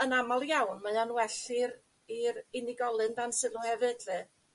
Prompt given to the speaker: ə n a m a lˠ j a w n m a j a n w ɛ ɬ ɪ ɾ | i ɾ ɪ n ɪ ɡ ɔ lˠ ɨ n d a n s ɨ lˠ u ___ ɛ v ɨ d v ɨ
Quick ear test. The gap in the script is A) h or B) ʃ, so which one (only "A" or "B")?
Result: A